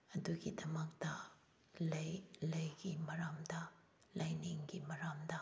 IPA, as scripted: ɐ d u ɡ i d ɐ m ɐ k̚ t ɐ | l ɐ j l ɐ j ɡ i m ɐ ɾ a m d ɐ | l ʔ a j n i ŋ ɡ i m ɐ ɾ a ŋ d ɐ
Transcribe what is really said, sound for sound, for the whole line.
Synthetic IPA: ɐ d u ɡ i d ɐ m ɐ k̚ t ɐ | l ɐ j l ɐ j ɡ i m ɐ ɾ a m d ɐ | l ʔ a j n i ŋ ɡ i m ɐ ɾ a m d ɐ

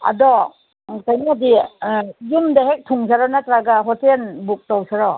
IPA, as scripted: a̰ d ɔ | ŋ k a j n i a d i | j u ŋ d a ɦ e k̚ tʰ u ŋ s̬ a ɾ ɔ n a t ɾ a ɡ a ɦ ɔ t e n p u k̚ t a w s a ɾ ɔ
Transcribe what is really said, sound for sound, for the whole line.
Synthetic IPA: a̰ d ɔ | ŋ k a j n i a d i | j u m d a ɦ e k̚ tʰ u ŋ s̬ a ɾ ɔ n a t ɾ a ɡ a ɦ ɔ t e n b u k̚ t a w s a ɾ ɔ

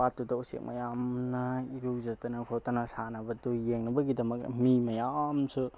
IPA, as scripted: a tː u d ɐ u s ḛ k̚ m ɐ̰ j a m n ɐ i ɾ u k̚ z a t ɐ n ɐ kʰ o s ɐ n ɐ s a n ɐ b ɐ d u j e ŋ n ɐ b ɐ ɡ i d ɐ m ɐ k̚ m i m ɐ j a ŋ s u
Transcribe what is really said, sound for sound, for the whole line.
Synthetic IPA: a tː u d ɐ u s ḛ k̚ m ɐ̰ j a m n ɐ i ɾ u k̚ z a t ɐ n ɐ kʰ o t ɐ n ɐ s a n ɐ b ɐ d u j e ŋ n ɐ b ɐ ɡ i d ɐ m ɐ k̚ m i m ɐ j a m s u

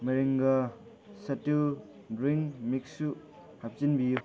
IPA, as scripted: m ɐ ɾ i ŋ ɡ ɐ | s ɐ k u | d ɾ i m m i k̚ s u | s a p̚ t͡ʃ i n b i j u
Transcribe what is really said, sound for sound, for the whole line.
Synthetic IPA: m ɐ ɾ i ŋ ɡ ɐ | s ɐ t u | d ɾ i ŋ m i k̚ s u | h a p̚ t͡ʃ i n b i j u

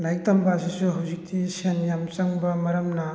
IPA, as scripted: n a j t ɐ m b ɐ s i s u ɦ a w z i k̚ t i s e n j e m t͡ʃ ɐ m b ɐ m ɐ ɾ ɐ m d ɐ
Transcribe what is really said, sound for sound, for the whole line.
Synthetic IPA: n a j t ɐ m b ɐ s i s u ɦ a w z i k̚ t i s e n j a m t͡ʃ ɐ ŋ b ɐ m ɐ ɾ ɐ m n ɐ

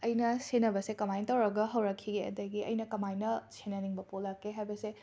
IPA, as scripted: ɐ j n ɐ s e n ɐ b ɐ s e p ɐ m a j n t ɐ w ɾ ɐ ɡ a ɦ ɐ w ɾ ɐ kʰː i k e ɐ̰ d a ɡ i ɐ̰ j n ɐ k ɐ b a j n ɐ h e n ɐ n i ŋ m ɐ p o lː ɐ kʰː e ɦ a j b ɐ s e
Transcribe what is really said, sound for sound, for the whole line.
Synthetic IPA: ɐ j n ɐ s e n ɐ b ɐ s e k ɐ m a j n t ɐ w ɾ ɐ ɡ ɐ ɦ ɐ w ɾ ɐ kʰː i ɡ e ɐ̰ d ɐ ɡ i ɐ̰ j n ɐ k ɐ m a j n ɐ s e n ɐ n i ŋ b ɐ p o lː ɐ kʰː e ɦ a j b ɐ s e

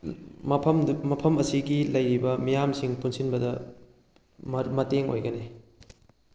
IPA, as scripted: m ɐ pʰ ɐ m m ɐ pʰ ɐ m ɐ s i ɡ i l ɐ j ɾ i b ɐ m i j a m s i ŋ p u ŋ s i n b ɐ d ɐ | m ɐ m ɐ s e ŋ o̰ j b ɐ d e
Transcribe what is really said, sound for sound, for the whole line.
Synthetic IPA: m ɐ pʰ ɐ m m ɐ pʰ ɐ m ɐ s i ɡ i l ɐ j ɾ i b ɐ m i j a m s i ŋ p u n s i n b ɐ d ɐ | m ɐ m ɐ t e ŋ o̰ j ɡ ɐ n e

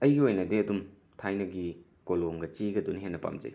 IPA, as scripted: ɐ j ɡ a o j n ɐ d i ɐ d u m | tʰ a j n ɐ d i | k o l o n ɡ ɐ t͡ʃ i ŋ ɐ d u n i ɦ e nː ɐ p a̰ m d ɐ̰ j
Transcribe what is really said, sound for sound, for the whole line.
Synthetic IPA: ɐ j ɡ i o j n ɐ d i ɐ d u m | tʰ a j n ɐ ɡ i | k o l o ŋ ɡ ɐ t͡ʃ i ɡ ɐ d u n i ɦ e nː ɐ p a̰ m d͡ʒ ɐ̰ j

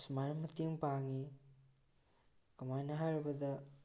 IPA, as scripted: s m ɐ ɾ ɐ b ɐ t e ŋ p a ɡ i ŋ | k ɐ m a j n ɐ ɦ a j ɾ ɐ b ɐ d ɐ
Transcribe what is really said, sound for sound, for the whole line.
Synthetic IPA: s m a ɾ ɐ m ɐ t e ŋ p a ŋ i | k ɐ m a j n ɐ ɦ a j ɾ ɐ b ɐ d ɐ

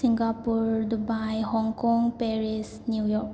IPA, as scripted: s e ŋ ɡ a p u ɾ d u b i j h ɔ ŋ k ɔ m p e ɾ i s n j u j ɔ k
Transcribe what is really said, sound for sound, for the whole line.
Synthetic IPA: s i ŋ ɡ a p u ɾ d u b a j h ɔ ŋ k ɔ ŋ p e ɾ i s n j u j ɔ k

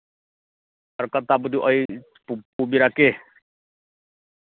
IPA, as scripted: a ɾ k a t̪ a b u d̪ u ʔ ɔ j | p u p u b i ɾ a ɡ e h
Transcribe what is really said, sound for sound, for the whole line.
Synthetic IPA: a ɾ k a t̪ a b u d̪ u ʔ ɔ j | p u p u b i ɾ a k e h

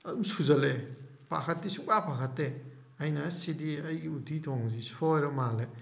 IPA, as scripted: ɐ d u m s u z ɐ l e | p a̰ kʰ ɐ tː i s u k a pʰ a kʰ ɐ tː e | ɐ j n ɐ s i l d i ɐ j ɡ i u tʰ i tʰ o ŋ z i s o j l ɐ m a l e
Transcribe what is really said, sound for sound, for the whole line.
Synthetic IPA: ɐ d u m s u z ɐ l e | p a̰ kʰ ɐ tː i s u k a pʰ a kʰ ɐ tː e | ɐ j n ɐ s i d i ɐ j ɡ i u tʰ i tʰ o ŋ z i s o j ɾ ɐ m a l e

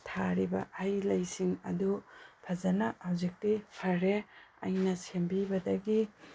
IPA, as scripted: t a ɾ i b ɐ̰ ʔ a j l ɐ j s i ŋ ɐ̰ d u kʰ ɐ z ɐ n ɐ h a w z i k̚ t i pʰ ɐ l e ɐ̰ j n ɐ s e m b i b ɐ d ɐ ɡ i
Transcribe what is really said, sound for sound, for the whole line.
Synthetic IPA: tʰ a ɾ i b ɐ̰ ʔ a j l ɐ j s i ŋ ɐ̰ d u pʰ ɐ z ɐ n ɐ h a w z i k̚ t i pʰ ɐ ɾ e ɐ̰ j n ɐ s e m b i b ɐ d ɐ ɡ i

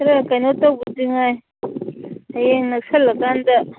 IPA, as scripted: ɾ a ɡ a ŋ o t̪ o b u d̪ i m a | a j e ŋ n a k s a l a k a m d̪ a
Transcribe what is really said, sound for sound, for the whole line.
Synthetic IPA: ɾ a k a n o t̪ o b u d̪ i ŋ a | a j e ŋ n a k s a l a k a n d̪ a

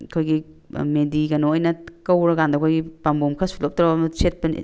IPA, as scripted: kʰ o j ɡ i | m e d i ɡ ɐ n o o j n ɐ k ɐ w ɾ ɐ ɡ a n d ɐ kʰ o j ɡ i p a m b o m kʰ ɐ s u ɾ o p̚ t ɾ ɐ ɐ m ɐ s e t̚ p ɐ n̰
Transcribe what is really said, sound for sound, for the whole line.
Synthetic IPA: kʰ o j ɡ i | m e d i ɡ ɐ n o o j n ɐ k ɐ w ɾ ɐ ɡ a n d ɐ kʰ o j ɡ i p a m b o m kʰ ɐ s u l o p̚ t ɾ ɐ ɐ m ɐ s e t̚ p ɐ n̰

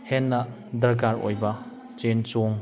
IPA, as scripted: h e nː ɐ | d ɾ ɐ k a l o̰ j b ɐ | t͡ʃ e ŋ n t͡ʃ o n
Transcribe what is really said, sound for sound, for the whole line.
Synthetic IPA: h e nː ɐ | d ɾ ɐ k a ɾ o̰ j b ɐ | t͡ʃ e n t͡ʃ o ŋ

